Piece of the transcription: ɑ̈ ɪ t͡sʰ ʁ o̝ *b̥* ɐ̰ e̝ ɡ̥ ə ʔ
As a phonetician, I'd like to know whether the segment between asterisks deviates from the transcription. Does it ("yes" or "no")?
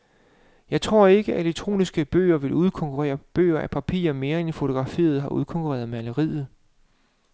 yes